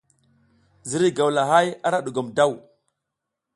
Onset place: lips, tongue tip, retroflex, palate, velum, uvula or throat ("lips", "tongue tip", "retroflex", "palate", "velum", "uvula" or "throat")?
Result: tongue tip